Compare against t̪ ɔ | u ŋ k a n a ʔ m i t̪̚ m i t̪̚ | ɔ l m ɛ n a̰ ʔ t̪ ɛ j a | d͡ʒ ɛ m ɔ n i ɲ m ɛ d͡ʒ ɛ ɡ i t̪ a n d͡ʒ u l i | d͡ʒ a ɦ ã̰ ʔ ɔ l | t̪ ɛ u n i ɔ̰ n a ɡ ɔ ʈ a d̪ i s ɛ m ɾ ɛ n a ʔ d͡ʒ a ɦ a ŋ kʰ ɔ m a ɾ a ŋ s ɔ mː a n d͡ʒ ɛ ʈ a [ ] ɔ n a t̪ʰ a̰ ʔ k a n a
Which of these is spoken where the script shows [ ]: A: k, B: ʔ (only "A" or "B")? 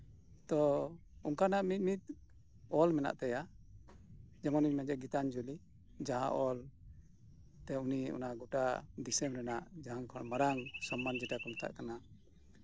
A